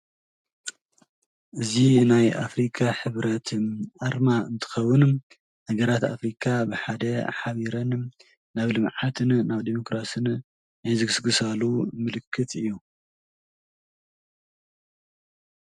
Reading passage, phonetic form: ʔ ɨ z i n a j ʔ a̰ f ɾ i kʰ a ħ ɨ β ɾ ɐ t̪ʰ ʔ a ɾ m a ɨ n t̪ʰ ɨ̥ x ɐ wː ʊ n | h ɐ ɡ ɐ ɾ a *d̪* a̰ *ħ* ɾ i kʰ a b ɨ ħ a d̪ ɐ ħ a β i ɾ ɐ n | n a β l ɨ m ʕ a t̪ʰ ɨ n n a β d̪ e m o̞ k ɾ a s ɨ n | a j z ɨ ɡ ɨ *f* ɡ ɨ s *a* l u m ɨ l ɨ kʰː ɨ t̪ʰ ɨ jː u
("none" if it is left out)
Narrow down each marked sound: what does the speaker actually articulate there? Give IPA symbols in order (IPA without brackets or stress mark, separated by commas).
t̪, f, s, a